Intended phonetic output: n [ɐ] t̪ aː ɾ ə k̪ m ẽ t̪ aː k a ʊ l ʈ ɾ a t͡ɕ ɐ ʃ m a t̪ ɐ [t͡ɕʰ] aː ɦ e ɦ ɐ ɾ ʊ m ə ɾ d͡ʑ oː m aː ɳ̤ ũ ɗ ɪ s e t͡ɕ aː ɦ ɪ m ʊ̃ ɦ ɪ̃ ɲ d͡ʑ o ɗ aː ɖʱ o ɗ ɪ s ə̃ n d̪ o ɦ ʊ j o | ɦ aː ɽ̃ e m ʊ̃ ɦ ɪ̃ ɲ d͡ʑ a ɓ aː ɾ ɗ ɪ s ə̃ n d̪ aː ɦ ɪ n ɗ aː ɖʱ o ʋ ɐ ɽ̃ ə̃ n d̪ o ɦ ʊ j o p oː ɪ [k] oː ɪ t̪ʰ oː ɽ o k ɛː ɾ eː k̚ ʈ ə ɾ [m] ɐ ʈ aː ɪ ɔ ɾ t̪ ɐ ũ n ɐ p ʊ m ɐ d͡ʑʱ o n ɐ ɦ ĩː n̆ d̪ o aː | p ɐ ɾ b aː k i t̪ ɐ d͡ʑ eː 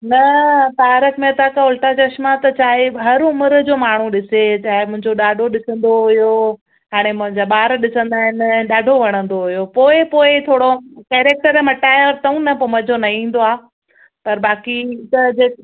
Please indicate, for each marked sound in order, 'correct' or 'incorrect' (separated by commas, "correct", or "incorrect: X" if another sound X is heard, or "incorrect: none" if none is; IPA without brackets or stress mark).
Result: correct, incorrect: t͡ɕ, incorrect: p, correct